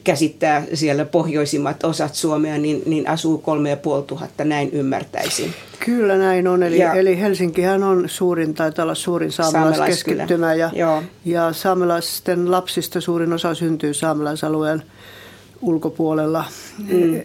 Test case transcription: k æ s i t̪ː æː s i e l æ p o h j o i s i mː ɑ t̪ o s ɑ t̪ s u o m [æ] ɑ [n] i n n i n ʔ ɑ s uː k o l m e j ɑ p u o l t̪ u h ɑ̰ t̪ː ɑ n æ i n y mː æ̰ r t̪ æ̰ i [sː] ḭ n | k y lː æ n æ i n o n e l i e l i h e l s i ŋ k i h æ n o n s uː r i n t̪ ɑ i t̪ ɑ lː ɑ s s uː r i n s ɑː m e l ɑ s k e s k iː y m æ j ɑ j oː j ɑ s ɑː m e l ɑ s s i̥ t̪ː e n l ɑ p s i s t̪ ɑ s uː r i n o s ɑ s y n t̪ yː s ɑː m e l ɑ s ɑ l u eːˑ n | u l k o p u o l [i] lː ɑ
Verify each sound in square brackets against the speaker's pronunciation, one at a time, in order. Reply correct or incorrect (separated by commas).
incorrect, correct, incorrect, incorrect